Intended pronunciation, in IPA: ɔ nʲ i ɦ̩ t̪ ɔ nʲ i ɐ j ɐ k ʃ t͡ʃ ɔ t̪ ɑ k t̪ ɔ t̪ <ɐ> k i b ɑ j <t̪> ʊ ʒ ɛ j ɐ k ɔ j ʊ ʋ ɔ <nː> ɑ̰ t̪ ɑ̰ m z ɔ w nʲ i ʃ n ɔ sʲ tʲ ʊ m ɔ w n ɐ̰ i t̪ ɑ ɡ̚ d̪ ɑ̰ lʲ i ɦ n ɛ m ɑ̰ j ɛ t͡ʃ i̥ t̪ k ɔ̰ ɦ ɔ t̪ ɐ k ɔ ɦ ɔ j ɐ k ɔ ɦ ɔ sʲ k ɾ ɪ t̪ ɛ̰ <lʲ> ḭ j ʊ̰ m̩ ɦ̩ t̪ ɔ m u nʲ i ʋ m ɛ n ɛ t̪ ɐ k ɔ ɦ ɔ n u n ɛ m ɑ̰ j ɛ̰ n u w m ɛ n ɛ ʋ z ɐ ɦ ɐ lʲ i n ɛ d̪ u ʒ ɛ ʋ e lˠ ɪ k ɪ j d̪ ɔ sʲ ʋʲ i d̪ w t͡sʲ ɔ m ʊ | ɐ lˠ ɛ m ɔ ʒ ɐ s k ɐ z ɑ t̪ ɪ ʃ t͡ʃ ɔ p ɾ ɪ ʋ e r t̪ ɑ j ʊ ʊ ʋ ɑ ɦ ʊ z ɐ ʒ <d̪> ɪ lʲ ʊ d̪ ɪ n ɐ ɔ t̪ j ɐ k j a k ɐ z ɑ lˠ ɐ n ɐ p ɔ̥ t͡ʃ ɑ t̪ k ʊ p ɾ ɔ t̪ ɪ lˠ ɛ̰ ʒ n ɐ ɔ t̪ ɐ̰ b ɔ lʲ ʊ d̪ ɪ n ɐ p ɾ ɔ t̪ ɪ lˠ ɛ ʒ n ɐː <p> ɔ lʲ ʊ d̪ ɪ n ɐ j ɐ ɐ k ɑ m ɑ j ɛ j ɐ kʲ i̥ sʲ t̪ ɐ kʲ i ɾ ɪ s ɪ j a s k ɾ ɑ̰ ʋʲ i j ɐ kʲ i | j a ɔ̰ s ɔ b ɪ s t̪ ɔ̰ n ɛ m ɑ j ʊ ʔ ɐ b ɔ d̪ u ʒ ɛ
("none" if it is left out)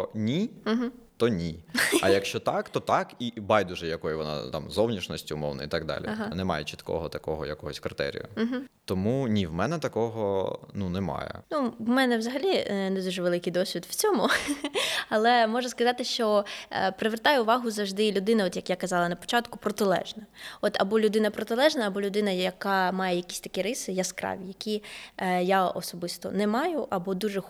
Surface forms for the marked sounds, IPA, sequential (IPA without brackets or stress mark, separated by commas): ɑ, d̪, n, ɾʲ, d̪, b